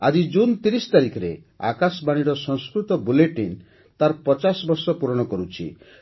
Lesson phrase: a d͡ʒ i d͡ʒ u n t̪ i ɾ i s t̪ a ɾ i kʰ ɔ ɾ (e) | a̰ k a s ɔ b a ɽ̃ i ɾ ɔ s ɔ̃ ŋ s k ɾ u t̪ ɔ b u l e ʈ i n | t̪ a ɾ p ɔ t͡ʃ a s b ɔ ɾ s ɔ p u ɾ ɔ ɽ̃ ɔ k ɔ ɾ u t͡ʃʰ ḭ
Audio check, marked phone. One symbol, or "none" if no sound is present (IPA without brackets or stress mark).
e